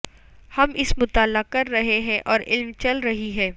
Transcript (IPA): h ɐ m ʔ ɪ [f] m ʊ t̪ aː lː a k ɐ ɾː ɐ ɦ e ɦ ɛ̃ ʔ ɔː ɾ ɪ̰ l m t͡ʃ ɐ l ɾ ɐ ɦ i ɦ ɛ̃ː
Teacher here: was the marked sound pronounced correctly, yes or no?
no